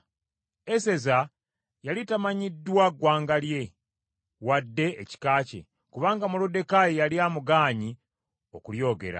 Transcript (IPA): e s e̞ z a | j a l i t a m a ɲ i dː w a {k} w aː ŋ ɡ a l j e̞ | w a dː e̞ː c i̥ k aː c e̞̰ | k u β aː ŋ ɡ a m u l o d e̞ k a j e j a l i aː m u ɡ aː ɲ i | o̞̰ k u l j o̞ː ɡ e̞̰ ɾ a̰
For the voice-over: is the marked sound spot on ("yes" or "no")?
no